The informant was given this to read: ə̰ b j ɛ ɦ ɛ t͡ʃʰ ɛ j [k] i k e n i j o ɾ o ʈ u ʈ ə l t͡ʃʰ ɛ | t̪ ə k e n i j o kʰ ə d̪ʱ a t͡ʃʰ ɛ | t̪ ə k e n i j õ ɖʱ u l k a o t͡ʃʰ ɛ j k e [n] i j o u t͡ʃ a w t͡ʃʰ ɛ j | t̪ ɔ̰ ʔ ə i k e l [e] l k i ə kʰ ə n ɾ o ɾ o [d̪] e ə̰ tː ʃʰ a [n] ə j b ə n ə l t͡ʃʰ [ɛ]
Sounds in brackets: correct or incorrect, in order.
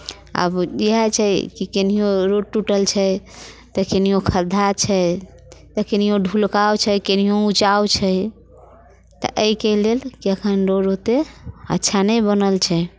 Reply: correct, correct, correct, incorrect, correct, correct

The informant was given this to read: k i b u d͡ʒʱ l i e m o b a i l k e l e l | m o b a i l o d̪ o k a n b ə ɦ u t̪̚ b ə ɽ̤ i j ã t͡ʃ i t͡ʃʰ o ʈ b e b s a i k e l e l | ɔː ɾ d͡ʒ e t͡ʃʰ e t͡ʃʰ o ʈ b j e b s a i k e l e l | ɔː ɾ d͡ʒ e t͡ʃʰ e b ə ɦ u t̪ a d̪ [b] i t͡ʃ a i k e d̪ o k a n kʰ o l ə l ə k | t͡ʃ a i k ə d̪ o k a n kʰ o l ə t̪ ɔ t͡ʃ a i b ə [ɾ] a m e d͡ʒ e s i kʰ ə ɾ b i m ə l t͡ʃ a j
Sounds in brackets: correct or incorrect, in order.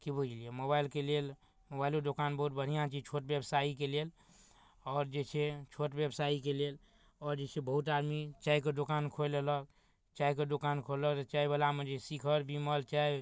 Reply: incorrect, incorrect

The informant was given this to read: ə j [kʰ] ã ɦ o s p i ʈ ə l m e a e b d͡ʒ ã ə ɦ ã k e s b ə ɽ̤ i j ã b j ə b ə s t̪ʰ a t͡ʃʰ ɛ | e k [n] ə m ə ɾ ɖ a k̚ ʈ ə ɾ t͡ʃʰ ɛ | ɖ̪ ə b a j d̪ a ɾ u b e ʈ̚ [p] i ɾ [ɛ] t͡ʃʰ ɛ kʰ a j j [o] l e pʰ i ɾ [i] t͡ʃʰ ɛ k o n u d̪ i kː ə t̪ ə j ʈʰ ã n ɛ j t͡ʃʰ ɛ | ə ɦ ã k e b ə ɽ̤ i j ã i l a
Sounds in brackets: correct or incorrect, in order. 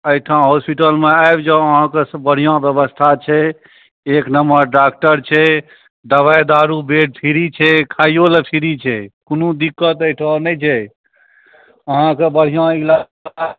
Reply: incorrect, correct, incorrect, incorrect, correct, correct

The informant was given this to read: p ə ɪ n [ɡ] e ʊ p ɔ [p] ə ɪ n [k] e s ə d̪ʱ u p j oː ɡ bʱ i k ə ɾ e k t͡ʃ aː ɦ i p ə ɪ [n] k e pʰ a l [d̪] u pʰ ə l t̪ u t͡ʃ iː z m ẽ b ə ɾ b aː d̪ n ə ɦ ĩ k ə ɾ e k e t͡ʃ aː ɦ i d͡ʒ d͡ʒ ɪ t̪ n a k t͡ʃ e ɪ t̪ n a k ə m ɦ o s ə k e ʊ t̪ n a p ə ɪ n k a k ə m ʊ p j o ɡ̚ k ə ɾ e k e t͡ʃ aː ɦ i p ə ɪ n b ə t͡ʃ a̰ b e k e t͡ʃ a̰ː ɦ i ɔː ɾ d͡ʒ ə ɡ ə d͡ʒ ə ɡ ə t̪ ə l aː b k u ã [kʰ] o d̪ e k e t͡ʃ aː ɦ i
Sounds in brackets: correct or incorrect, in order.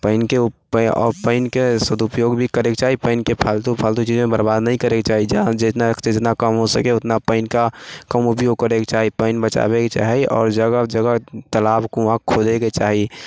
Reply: incorrect, correct, correct, correct, incorrect, correct

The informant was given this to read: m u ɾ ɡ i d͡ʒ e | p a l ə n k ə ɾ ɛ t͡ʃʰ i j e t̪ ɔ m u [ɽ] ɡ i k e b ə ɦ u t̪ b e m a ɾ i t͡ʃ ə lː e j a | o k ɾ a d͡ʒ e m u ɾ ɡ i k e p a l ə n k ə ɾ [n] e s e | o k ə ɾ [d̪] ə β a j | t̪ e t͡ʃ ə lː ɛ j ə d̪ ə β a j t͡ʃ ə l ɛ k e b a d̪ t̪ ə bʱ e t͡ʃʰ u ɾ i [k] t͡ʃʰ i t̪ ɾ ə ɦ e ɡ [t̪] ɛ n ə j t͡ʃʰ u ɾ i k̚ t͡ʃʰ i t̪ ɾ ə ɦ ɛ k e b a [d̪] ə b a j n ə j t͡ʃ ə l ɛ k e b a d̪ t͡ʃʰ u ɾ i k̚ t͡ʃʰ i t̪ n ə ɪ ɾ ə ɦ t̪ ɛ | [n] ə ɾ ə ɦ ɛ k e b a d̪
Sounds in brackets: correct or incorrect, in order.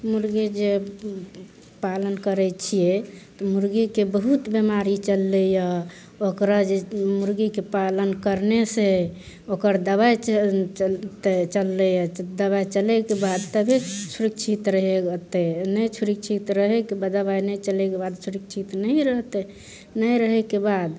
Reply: incorrect, correct, correct, correct, correct, correct, correct

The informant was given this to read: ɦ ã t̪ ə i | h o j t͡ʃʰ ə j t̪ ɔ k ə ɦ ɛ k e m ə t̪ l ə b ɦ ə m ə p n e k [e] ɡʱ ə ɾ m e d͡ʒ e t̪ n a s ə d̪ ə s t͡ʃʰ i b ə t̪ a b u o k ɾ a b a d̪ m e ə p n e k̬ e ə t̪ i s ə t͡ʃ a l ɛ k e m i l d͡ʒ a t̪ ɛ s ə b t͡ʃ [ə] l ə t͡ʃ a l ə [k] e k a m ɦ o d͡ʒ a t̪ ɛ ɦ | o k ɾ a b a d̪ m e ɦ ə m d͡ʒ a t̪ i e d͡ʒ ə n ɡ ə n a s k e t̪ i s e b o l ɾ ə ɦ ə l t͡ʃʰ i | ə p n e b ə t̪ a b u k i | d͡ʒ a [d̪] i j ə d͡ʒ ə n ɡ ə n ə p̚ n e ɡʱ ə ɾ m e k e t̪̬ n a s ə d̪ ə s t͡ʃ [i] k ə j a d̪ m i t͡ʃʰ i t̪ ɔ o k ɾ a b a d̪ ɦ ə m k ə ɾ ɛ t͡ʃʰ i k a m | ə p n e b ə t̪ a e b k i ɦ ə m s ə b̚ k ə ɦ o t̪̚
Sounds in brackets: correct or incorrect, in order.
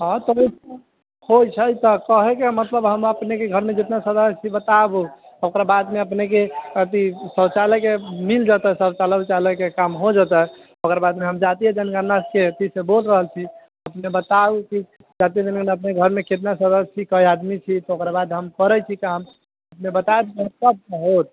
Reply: correct, incorrect, correct, incorrect, correct

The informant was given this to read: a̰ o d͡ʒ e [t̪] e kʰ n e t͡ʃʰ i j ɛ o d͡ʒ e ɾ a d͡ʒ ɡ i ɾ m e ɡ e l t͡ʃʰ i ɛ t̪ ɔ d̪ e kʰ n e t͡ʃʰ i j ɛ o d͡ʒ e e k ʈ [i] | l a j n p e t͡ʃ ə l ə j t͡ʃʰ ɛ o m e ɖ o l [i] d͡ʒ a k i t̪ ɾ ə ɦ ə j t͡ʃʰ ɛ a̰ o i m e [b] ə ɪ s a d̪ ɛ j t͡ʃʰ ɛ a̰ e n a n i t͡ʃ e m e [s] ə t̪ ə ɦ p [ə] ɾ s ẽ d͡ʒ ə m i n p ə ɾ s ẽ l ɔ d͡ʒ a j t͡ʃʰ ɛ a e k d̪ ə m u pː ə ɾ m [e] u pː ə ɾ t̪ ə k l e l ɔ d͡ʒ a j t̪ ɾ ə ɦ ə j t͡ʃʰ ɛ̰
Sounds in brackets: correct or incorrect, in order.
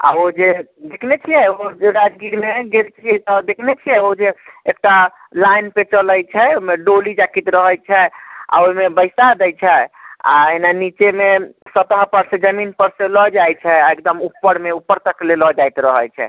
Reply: incorrect, incorrect, correct, correct, correct, correct, correct

